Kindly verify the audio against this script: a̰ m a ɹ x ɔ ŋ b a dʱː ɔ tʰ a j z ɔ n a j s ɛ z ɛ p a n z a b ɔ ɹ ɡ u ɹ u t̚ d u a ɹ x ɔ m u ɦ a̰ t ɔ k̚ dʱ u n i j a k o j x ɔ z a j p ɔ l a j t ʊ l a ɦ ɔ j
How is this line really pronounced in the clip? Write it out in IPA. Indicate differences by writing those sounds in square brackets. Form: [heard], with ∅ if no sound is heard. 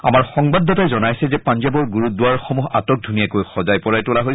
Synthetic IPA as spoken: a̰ m a ɹ x ɔ ŋ b a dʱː ɔ [t] a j z ɔ n a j s ɛ z ɛ p a n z a b ɔ ɹ ɡ u ɹ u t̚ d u a ɹ x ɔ m u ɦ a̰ t ɔ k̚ dʱ u n i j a k o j x ɔ z a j p ɔ [ɹ] a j t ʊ l a ɦ [o] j